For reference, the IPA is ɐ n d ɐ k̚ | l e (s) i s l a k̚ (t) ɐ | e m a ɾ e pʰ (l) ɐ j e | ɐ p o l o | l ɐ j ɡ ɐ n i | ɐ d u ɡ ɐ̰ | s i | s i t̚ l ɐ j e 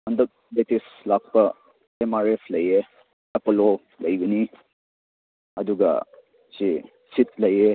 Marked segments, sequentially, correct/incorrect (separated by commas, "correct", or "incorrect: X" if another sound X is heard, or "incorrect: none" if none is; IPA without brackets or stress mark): incorrect: t, incorrect: p, correct